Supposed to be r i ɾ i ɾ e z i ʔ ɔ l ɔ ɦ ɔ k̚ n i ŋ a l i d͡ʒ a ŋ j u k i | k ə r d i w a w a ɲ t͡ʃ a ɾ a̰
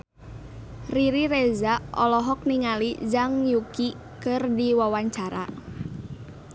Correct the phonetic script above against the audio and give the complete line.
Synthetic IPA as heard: r i ɾ i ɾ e z a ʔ ɔ l ɔ ɦ ɔ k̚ n i ŋ a l i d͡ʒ a ŋ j u k i | k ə r d i w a w a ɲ t͡ʃ a ɾ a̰